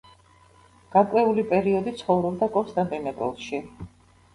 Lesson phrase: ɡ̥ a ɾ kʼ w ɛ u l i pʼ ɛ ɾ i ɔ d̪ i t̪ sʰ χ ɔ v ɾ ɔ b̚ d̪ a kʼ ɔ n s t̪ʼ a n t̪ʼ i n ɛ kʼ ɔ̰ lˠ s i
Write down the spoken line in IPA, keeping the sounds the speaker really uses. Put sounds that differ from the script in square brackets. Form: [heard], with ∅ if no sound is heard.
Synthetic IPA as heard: ɡ̥ a ɾ kʼ w ɛ u l i pʼ ɛ ɾ i ɔ d̪ i t̪ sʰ χ ɔ v ɾ ɔ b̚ d̪ a kʼ ɔ n s t̪ʼ a n t̪ʼ i n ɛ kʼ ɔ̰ lˠ [ʃ] i

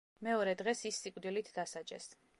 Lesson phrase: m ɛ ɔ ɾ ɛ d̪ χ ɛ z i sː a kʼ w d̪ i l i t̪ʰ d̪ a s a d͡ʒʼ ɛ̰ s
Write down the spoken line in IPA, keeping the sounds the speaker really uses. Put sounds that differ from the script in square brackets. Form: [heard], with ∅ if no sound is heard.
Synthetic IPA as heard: m ɛ ɔ ɾ ɛ d̪ [ʁ] ɛ [s] i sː [i] kʼ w d̪ i l i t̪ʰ d̪ a s a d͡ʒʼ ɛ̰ s

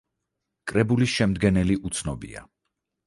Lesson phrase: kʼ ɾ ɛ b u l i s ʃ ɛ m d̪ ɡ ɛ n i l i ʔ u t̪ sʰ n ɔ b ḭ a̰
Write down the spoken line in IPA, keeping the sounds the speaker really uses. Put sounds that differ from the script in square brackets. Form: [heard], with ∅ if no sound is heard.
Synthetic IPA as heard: kʼ ɾ ɛ b u l i s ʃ ɛ m d̪ ɡ ɛ n [ɛ] l i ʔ u t̪ sʰ n ɔ b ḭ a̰

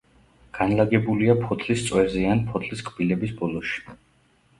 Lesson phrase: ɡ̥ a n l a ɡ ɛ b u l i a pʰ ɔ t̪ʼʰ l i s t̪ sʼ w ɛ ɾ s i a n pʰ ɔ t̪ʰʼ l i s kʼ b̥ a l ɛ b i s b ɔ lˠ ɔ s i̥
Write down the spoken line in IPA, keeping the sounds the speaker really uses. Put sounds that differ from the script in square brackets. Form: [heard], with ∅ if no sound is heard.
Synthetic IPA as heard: ɡ̥ a n l a ɡ ɛ b u l i a pʰ ɔ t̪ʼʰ l i s t̪ sʼ w ɛ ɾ [z] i a n pʰ ɔ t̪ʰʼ l i s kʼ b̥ [i] l ɛ b i s b ɔ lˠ ɔ [ʃ] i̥

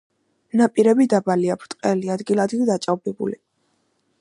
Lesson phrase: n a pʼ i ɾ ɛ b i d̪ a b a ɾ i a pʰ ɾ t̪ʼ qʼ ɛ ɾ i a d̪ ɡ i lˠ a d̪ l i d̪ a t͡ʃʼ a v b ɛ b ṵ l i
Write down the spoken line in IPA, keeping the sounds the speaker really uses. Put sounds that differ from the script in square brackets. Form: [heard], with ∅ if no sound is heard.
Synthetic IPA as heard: n a pʼ i ɾ ɛ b i d̪ a b a [l] i a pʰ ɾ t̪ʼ qʼ ɛ [l] i a d̪ ɡ i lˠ a d̪ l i d̪ a t͡ʃʼ a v b ɛ b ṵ l i

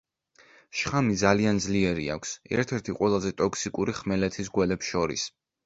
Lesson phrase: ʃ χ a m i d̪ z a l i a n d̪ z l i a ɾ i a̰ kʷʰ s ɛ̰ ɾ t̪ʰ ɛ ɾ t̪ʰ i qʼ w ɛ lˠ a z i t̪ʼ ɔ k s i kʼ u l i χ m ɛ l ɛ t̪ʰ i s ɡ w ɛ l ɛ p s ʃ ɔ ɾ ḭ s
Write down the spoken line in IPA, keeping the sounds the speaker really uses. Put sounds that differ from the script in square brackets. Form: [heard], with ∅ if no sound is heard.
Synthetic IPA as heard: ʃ χ a m i d̪ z a l i a n d̪ z l i [ɛ] ɾ i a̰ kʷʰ s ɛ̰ ɾ t̪ʰ ɛ ɾ t̪ʰ i qʼ w ɛ lˠ a z [ɛ] t̪ʼ ɔ k s i kʼ u [ɾ] i χ m ɛ l ɛ t̪ʰ i s ɡ w ɛ l ɛ p s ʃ ɔ ɾ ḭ s

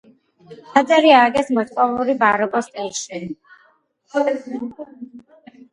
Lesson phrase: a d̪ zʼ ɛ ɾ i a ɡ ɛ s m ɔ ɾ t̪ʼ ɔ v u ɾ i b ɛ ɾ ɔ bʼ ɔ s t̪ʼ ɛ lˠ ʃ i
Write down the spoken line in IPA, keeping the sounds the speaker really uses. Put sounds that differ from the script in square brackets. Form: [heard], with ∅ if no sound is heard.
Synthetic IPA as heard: a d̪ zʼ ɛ ɾ i a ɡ ɛ s m ɔ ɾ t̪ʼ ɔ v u ɾ i b [a] ɾ ɔ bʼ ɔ s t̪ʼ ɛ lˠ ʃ i

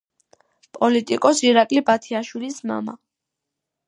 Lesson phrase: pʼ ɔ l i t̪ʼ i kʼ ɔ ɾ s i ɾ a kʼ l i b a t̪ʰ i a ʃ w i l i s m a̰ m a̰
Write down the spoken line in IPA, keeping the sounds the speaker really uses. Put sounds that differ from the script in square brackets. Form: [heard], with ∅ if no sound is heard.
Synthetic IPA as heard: pʼ ɔ l i t̪ʼ i kʼ ɔ [∅] s i ɾ a kʼ l i b a t̪ʰ i a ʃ w i l i s m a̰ m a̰

